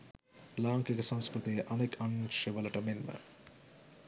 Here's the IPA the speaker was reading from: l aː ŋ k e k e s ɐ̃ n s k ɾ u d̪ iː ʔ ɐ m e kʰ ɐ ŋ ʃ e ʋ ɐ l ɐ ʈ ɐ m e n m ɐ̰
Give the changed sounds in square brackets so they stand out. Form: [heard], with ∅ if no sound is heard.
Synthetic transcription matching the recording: l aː ŋ k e k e s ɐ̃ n s k ɾ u [t̪] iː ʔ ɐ [n] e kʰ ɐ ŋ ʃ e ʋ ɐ l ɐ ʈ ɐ m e n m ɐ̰